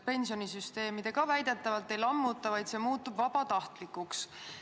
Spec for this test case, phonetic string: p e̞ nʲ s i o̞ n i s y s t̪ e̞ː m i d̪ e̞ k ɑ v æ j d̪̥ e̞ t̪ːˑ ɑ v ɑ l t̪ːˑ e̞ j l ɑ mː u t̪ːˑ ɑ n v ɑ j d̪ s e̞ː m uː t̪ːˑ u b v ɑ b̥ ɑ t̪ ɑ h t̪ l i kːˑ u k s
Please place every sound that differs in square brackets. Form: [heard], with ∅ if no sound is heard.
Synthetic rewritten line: p e̞ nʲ s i o̞ n i s y s t̪ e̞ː m i d̪ e̞ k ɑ v æ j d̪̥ e̞ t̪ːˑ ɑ v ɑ l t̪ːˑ e̞ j l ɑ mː u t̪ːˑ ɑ [∅] v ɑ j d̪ s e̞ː m uː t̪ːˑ u b v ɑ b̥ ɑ t̪ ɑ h t̪ l i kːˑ u k s